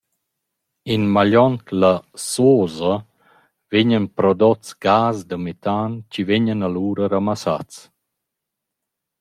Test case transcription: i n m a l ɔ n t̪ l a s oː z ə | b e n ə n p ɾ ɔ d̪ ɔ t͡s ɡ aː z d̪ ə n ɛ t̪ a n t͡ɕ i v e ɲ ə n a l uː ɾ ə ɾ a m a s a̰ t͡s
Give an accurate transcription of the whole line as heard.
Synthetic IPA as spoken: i n m a ʎ ɔ n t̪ l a s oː z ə | v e ɲ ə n p ɾ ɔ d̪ ɔ t͡s ɡ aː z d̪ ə m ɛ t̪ a n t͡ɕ i v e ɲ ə n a l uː ɾ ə ɾ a m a s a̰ t͡s

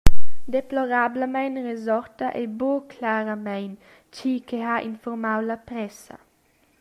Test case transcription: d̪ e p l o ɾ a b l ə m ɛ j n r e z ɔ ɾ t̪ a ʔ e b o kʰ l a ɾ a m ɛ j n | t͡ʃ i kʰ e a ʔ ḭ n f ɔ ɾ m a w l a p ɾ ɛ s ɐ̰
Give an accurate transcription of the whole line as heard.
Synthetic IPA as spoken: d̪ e p l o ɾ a b l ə m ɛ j n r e z ɔ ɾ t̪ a ʔ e b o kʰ l a ɾ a m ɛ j n | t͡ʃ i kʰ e a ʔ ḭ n f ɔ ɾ m a w l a p ɾ ɛ s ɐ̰

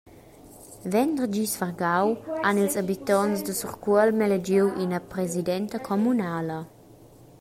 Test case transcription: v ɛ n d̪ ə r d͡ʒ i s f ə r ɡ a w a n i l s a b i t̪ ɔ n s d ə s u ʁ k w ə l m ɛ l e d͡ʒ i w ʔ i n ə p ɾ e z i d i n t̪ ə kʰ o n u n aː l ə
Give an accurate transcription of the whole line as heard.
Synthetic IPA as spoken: v ɛ n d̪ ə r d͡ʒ i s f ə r ɡ a w a n i l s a b i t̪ ɔ n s d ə s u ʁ k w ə l m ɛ l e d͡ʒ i w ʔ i n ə p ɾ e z i d ɛ n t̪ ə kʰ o m u n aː l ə

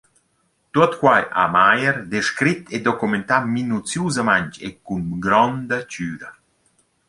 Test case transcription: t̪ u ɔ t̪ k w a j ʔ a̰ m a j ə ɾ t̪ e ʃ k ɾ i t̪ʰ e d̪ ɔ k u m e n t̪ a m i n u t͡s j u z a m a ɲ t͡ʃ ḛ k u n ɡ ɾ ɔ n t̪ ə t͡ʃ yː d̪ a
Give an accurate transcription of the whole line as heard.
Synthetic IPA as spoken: t̪ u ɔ t̪ k w a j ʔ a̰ m a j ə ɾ d̪ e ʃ k ɾ i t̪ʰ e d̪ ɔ k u m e n t̪ a m i n u t͡s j u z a m a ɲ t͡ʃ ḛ k u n ɡ ɾ ɔ n d̪ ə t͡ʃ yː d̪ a

